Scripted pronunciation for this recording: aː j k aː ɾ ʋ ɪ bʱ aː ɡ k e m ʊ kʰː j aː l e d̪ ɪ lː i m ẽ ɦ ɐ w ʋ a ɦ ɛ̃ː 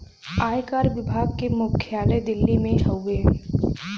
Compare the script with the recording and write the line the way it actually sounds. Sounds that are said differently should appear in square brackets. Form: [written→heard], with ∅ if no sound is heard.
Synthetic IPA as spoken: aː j k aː ɾ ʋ ɪ bʱ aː ɡ k e m ʊ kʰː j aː l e d̪ ɪ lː i m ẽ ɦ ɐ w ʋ [a→e] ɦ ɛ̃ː